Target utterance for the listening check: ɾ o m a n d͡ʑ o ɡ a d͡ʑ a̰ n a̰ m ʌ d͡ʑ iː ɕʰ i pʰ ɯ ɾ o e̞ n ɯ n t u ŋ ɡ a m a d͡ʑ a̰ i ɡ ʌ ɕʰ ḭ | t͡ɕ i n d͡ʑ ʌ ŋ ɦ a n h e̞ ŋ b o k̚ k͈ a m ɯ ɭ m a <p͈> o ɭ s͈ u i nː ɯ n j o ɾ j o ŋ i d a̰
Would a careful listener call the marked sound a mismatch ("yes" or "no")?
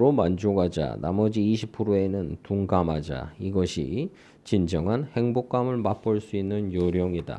no